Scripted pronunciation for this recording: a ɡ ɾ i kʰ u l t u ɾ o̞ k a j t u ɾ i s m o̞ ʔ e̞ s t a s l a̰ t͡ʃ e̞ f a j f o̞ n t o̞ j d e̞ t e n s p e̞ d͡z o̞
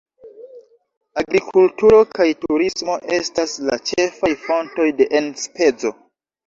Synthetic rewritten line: a ɡ ɾ i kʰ u l t u ɾ o̞ k a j t u ɾ i s m o̞ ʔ e̞ s t a s l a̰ t͡ʃ e̞ f a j f o̞ n t o̞ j d e̞ ʔ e n s p e̞ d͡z o̞